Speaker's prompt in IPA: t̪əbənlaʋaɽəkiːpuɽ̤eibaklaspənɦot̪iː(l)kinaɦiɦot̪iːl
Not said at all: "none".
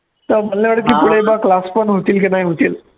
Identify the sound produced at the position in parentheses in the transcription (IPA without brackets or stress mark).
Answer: l